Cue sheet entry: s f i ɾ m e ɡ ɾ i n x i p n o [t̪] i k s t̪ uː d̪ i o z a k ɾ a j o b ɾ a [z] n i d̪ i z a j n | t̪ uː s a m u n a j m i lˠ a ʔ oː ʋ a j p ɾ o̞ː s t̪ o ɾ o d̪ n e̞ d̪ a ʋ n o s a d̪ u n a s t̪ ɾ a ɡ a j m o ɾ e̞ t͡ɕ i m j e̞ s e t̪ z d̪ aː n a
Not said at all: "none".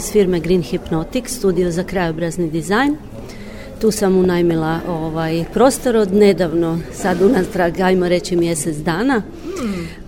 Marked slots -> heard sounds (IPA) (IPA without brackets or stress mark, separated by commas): t̪, z